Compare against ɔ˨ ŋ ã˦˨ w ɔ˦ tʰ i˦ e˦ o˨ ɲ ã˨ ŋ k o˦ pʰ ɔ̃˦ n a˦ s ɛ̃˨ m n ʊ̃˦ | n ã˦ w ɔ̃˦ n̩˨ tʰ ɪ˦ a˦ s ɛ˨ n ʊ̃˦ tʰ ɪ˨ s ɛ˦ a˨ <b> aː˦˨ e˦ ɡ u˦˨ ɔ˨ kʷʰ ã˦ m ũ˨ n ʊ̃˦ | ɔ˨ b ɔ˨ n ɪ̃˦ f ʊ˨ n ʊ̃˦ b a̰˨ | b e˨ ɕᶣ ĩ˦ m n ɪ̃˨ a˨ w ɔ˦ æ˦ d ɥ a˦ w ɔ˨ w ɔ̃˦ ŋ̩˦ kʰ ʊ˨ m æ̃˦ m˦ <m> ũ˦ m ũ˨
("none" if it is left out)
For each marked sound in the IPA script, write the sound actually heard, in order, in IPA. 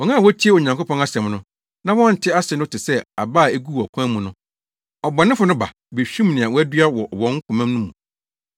b, n

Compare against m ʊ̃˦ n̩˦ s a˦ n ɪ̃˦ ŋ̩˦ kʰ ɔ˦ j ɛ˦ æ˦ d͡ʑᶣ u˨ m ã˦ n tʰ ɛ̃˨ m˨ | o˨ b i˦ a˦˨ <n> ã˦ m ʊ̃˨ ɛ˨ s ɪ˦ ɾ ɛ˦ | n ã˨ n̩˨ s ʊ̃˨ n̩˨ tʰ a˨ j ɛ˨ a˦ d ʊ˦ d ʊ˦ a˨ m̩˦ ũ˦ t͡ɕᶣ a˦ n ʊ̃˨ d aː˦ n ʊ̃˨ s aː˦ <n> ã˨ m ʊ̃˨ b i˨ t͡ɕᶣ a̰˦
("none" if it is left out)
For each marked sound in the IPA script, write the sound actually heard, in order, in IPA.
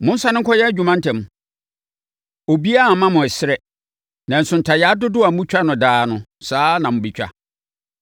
m, n

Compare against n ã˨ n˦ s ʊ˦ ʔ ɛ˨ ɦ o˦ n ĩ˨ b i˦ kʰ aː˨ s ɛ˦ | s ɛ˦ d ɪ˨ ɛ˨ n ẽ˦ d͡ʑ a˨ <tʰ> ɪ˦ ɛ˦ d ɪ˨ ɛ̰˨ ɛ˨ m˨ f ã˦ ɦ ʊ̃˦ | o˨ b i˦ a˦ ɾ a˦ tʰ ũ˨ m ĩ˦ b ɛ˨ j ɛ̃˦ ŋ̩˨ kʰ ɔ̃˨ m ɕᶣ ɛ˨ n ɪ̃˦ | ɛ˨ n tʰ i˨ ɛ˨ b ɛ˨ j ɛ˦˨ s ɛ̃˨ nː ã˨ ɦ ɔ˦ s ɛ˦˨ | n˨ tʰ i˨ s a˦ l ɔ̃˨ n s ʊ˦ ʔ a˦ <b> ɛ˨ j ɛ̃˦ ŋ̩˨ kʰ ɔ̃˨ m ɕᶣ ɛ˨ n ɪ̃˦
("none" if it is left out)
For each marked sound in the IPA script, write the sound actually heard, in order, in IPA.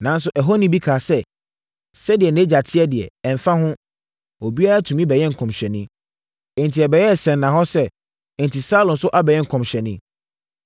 tʰ, b

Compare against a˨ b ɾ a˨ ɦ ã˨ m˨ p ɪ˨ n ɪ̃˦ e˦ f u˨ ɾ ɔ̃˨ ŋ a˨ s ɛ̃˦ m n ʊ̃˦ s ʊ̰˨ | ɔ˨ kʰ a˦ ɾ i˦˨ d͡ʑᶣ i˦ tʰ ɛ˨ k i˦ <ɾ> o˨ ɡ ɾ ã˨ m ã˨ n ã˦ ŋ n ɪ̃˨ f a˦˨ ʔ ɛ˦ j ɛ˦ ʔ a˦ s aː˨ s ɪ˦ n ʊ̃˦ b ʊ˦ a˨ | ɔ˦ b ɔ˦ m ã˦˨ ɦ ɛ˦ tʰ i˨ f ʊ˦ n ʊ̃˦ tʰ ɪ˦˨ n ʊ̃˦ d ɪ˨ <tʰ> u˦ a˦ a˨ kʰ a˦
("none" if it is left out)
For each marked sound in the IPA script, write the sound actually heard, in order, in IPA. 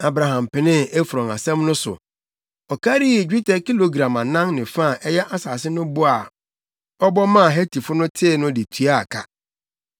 l, tʰ

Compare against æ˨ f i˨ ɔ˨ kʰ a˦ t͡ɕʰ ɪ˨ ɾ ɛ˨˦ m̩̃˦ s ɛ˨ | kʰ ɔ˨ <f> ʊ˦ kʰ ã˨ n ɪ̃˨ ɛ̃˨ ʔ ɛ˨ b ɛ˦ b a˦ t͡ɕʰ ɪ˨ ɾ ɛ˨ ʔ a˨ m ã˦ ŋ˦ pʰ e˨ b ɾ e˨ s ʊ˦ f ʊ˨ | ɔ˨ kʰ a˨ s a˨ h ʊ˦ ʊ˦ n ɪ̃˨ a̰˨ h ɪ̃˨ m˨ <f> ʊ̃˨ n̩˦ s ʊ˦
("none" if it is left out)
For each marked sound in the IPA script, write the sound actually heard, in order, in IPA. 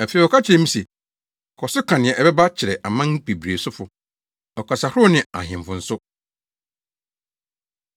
s, f

